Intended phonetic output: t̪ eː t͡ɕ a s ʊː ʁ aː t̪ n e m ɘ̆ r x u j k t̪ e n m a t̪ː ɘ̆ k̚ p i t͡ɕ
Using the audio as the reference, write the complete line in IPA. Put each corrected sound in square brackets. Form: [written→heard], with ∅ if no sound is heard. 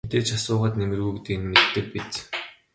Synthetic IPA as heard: t̪ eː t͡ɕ a s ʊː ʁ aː t̪ n e m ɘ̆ r [x→ɣ] u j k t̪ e n m [a→e] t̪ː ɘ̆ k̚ p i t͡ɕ